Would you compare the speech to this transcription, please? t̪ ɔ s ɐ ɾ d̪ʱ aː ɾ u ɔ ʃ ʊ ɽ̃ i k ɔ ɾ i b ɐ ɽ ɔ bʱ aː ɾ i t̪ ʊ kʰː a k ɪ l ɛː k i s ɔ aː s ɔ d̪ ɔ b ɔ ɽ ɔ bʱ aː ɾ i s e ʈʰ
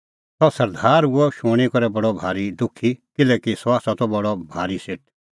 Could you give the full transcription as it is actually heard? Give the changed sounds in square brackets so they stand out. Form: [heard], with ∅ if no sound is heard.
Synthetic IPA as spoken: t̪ ɔ s ɐ ɾ d̪ʱ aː ɾ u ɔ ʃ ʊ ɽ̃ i k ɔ ɾ [ɛ] b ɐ ɽ ɔ bʱ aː ɾ i [d̪] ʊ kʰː [i] k ɪ l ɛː k i s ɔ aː s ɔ [t̪] ɔ b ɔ ɽ ɔ bʱ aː ɾ i s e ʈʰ